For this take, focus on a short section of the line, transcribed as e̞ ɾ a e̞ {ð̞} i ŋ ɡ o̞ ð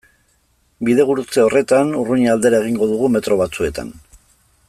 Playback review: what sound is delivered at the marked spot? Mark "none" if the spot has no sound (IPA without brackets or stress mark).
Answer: ɣ̞